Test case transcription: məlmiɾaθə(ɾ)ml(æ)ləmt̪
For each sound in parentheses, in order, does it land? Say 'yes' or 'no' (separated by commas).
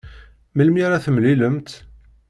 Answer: no, no